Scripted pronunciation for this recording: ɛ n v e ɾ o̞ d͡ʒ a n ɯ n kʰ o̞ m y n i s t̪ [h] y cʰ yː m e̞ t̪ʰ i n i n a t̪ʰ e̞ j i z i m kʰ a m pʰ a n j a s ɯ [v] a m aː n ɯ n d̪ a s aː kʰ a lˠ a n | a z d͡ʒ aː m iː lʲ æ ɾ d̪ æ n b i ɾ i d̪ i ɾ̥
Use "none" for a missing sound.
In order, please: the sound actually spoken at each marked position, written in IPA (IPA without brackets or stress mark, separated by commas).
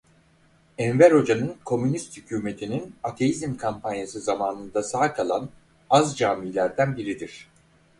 h, z